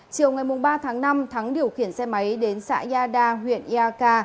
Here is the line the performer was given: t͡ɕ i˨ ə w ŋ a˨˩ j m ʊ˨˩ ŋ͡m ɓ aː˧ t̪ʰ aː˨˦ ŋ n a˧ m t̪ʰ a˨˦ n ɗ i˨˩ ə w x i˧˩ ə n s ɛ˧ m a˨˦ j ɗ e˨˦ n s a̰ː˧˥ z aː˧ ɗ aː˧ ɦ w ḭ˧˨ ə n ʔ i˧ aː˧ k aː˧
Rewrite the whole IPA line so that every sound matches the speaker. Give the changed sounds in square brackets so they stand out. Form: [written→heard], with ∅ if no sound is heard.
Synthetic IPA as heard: t͡ɕ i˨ ə w ŋ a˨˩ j m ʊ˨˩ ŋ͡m ɓ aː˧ t̪ʰ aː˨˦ ŋ n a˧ m t̪ʰ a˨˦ [n→ŋ] ɗ i˨˩ ə w x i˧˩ ə n s ɛ˧ m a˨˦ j ɗ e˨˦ n s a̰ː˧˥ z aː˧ ɗ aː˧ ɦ w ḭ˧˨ ə n ʔ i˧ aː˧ k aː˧

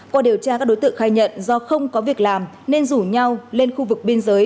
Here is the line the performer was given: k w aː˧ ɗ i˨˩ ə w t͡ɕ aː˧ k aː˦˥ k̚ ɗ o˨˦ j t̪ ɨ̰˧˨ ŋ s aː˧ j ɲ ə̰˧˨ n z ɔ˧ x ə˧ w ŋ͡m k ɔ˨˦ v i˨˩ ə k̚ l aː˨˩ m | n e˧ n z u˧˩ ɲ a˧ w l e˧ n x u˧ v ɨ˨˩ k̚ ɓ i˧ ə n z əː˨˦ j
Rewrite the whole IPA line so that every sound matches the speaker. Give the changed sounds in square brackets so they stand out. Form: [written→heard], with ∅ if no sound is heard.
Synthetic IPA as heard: k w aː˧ ɗ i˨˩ ə w t͡ɕ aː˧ k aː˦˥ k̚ ɗ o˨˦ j t̪ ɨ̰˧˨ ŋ [s→x] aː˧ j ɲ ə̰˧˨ n z ɔ˧ x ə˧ w ŋ͡m k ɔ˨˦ v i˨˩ ə k̚ l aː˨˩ m | n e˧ n z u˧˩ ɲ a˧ w l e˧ n x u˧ v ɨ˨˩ k̚ ɓ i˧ ə n z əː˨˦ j

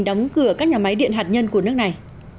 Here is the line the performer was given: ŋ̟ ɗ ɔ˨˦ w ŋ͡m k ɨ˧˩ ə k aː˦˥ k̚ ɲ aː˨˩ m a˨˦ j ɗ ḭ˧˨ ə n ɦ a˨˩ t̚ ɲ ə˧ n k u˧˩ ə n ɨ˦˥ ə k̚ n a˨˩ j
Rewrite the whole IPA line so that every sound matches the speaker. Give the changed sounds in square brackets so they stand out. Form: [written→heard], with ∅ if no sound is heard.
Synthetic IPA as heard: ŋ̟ ɗ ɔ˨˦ w ŋ͡m k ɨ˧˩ ə k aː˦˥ k̚ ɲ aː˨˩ m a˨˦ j ɗ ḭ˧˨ ə n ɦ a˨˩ t̚ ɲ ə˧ n k u˧˩ ə n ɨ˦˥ ə k̚ n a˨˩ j

